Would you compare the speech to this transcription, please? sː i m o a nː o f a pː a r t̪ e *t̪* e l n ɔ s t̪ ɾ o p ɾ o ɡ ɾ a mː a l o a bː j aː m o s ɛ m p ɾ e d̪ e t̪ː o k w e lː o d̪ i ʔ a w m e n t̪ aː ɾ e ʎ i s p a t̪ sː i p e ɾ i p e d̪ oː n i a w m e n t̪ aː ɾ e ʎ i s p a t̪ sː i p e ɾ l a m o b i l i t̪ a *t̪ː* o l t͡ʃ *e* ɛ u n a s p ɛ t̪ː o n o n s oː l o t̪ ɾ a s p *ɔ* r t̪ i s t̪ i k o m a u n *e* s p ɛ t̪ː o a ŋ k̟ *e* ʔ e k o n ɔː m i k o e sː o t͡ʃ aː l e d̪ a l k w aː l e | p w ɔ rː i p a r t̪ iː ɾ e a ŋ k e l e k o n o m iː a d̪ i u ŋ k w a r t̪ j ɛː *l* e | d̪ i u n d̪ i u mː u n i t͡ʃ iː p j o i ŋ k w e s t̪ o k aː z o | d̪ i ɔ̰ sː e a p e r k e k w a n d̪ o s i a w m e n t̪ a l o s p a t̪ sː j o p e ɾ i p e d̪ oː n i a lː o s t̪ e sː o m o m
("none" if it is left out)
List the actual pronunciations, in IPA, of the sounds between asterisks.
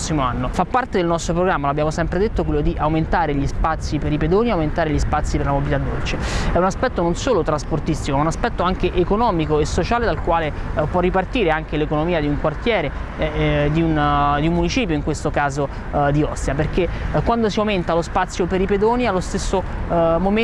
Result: d̪, d̪ː, e, o, a, e, ɾ

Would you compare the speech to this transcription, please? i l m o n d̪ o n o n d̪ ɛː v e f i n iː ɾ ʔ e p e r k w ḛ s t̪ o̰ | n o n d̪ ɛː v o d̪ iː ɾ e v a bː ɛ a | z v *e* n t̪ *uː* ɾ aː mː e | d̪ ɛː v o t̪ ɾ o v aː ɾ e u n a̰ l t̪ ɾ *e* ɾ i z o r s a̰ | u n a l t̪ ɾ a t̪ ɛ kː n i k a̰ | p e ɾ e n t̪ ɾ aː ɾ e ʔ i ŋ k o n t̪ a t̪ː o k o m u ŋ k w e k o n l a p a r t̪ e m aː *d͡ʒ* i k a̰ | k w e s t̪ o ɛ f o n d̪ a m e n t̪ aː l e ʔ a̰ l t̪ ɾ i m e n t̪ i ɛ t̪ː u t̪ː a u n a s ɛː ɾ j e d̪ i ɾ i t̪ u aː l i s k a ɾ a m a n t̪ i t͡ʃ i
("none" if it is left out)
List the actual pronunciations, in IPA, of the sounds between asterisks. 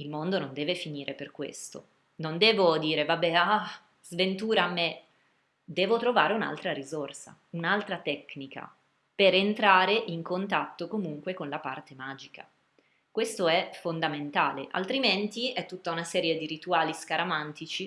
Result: e, uː, a, d͡ʒ

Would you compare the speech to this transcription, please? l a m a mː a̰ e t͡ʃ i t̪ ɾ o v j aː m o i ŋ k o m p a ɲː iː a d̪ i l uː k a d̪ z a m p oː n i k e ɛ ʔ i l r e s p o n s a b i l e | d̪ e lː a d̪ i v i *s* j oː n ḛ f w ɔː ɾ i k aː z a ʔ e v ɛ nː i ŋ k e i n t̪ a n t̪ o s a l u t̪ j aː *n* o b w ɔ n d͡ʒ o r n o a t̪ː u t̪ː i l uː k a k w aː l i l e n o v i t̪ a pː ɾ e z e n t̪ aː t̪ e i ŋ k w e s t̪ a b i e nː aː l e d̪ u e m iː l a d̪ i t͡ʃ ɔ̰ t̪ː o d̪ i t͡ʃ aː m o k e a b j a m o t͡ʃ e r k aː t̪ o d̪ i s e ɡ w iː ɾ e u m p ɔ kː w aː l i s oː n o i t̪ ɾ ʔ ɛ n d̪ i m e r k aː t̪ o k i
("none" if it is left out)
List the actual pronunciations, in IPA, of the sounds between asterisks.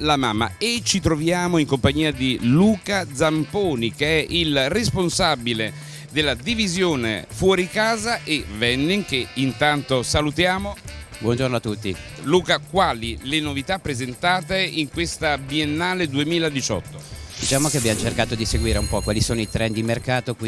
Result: z, m

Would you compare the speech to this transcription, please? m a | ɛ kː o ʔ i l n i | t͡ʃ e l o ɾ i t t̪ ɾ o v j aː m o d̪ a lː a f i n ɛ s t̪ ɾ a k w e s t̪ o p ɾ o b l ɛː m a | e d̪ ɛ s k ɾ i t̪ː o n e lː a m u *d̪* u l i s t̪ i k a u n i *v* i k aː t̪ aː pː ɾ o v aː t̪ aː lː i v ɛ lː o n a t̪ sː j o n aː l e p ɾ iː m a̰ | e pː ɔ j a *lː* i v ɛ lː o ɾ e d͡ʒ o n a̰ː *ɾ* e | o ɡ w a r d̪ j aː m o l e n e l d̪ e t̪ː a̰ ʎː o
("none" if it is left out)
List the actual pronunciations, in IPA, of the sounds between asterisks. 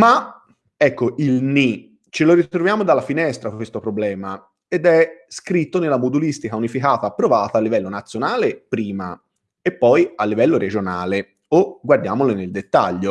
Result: d̪, f, lː, l

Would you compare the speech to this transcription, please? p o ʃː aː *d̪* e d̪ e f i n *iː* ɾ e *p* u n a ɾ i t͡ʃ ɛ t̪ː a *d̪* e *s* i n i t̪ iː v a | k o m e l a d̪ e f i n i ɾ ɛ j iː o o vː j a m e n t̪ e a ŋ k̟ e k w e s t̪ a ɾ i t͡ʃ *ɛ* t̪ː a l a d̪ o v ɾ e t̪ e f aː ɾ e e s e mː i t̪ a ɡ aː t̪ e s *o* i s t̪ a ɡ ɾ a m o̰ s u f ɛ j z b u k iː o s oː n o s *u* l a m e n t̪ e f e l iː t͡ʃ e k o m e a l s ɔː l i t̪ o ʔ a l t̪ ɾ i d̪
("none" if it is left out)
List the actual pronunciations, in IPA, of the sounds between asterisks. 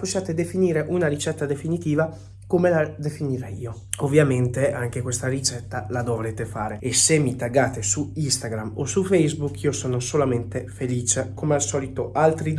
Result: t̪, iː, ʔ, d̪, f, ɛ, u, o

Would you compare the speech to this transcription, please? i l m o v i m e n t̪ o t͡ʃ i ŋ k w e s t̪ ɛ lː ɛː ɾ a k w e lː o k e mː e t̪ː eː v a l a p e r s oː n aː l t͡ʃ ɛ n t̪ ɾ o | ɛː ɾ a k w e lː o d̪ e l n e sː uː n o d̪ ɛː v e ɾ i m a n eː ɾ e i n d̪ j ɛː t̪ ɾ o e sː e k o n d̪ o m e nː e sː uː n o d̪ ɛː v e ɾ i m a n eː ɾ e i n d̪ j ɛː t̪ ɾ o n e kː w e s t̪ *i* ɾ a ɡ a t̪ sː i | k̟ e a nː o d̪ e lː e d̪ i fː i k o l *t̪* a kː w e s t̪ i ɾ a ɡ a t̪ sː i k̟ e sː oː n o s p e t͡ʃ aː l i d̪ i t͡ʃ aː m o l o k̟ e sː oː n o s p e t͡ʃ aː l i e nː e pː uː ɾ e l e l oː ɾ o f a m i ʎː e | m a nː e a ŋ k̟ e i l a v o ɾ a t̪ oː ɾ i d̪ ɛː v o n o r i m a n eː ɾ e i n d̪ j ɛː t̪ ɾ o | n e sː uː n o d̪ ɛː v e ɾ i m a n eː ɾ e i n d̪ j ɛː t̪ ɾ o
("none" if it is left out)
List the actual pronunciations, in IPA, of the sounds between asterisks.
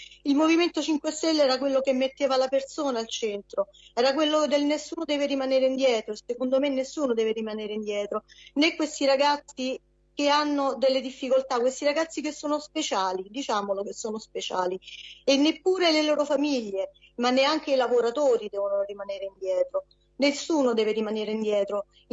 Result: i, t̪

